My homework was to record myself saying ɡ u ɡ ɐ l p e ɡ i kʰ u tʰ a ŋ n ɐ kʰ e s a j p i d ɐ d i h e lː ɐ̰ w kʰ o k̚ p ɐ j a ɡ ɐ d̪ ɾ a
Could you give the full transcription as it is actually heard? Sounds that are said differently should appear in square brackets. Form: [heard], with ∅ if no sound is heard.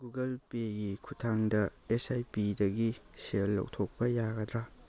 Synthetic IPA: ɡ u ɡ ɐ l p e ɡ i kʰ u tʰ a ŋ [d] ɐ [∅] e s a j p i d ɐ [ɡ] i [s] e lː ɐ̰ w [tʰ] o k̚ p ɐ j a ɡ ɐ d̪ ɾ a